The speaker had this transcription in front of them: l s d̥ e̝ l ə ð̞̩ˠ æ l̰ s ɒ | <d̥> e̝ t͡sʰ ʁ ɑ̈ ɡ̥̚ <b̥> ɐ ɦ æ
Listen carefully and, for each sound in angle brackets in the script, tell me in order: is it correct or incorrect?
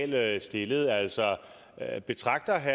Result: incorrect: b̥, incorrect: d̥

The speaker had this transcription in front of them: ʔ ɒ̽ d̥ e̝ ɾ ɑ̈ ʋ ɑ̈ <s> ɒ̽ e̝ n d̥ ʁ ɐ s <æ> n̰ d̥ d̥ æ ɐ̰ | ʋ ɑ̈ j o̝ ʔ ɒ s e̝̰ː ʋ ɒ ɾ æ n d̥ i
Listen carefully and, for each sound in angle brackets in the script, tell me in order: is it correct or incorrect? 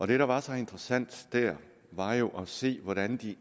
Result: correct, correct

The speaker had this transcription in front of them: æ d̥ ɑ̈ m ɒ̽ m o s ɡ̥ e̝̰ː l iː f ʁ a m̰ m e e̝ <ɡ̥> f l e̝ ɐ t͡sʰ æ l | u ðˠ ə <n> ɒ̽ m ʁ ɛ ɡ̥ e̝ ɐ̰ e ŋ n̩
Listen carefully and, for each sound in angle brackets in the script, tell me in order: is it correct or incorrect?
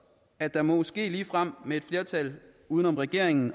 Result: incorrect: d̥, correct

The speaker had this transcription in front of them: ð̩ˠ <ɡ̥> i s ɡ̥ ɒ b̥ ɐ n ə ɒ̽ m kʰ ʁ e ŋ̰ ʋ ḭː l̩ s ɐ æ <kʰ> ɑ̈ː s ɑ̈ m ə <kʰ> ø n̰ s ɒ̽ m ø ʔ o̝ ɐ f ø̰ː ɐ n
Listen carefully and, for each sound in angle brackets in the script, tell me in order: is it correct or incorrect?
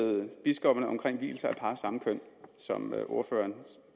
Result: incorrect: b̥, incorrect: pʰ, correct

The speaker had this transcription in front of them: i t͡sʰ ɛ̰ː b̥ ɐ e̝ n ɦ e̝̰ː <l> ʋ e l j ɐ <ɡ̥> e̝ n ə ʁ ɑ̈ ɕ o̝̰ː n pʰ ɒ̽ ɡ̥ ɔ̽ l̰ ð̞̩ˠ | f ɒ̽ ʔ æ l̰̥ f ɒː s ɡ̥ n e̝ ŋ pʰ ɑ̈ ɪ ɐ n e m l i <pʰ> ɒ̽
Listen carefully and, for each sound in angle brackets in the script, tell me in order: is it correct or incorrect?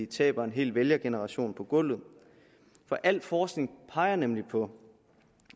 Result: correct, correct, correct

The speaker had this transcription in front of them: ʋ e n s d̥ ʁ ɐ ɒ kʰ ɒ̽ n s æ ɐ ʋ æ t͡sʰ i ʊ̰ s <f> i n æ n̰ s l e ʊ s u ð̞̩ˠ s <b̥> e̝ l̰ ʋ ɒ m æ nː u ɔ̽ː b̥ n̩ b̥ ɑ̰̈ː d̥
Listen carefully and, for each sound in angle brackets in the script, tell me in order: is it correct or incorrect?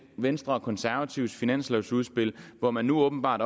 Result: correct, correct

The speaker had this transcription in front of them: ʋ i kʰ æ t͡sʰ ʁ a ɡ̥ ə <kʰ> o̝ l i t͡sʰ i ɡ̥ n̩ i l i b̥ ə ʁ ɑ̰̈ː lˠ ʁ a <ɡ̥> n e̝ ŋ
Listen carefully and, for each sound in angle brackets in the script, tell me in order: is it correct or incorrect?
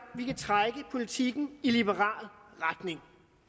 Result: incorrect: pʰ, incorrect: d̥

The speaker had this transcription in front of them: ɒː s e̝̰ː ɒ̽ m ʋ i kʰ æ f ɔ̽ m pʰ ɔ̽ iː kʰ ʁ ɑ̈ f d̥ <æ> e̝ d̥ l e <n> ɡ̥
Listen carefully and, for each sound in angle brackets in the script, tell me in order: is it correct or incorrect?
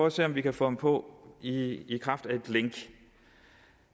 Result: correct, incorrect: ŋ

